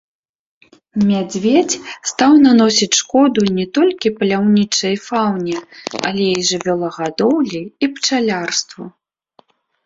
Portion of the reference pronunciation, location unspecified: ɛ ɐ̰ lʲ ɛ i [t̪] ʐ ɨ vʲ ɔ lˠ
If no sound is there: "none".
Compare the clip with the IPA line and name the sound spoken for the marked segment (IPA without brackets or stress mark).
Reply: none